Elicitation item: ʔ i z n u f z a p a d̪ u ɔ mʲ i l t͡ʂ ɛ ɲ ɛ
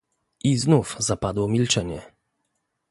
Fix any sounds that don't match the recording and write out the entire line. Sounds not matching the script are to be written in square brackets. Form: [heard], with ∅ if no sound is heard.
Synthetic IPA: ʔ i z n u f z a p a d̪ [w] ɔ mʲ i l t͡ʂ ɛ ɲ ɛ